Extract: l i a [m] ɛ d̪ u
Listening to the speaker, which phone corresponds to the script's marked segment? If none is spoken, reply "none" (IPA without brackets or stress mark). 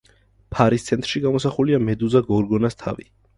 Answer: m